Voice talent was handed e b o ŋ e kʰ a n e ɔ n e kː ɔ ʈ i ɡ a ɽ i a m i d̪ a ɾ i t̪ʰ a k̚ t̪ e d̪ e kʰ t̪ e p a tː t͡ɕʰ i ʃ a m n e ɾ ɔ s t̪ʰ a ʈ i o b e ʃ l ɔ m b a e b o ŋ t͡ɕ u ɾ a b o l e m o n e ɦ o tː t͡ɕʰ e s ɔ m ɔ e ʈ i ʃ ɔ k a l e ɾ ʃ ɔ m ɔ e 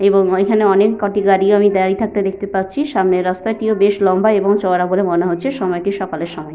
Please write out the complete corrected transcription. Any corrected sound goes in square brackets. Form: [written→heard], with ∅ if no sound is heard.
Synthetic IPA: e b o ŋ e kʰ a n e ɔ n e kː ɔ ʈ i ɡ a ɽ i a m i d̪ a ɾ i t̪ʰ a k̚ t̪ e d̪ e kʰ t̪ e p a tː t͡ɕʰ i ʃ a m n e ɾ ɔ s [t̪ʰ→t̪] a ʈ i o b e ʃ l ɔ m b a e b o ŋ t͡ɕ [u→ɔ] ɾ a b o l e m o n e ɦ o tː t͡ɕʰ e [s→ʃ] ɔ m ɔ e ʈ i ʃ ɔ k a l e ɾ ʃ ɔ m ɔ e